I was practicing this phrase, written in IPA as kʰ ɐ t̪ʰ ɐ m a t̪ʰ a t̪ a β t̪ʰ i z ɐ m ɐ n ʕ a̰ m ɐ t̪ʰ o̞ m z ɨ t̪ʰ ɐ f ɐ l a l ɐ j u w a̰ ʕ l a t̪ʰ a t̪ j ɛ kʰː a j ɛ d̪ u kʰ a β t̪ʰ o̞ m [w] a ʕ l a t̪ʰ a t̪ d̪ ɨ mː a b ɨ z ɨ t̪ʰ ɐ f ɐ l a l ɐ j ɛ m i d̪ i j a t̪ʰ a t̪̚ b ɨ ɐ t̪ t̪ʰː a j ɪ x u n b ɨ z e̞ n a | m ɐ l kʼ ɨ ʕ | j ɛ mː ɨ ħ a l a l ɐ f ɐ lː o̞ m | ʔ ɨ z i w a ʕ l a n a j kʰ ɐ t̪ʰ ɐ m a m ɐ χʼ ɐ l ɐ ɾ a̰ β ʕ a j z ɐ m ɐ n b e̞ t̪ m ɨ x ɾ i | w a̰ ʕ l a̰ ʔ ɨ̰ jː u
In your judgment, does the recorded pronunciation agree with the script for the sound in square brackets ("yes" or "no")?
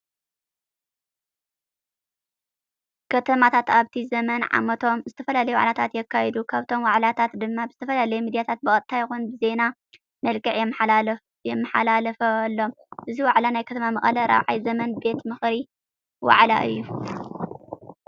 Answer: yes